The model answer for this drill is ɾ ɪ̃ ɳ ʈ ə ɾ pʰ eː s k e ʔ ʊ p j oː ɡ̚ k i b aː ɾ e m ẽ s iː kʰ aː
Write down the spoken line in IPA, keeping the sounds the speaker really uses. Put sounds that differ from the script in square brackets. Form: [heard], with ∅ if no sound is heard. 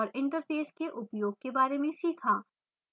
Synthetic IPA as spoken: ɾ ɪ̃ ɳ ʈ ə ɾ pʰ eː s k e ʔ ʊ p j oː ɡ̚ k [e] b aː ɾ e m ẽ s iː kʰ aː